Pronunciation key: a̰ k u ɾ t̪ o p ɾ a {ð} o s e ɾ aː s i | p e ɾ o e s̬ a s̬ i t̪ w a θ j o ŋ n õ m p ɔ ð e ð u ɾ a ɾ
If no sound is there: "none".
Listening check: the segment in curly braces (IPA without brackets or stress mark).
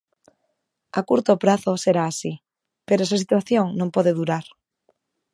θ